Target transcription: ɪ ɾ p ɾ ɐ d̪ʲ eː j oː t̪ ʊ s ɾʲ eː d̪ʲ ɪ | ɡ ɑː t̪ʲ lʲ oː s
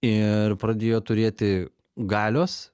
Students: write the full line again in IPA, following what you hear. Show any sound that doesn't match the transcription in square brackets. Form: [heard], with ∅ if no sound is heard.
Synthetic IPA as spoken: ɪ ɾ p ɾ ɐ d̪ʲ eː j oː t̪ ʊ [∅] ɾʲ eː [t̪ʲ] ɪ | ɡ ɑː [∅] lʲ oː s